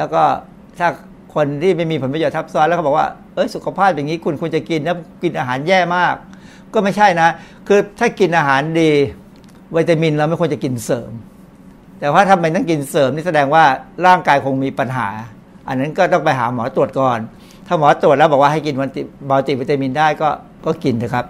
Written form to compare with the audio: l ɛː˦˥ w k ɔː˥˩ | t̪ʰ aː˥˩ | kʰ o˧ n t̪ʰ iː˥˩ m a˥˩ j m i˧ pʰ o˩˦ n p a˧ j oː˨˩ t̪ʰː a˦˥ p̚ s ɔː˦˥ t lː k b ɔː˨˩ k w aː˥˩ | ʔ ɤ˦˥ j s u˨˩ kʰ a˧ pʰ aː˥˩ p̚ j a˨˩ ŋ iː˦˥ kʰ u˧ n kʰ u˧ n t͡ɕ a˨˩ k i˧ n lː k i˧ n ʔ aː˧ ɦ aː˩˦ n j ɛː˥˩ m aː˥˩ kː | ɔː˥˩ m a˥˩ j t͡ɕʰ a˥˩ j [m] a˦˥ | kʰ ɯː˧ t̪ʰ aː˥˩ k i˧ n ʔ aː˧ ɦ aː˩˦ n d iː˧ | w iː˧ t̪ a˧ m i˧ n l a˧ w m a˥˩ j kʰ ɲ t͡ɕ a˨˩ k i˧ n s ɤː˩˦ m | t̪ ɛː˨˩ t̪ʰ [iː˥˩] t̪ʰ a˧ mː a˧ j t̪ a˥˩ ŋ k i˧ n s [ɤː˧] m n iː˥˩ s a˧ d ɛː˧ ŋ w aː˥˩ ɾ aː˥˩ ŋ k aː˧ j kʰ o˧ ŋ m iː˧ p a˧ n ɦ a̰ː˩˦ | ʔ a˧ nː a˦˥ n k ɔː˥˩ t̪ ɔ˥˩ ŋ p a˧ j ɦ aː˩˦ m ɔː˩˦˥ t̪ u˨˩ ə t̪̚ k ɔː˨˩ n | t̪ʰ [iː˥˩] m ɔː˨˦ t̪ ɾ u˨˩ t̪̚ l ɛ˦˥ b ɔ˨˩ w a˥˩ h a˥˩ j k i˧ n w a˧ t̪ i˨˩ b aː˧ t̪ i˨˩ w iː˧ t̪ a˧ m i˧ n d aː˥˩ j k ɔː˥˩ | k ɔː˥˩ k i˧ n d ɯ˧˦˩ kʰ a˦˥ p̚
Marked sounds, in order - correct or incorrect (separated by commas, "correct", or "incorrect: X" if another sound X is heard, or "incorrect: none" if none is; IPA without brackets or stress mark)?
incorrect: n, incorrect: aː˥˩, incorrect: ɤː˩˦, incorrect: aː˥˩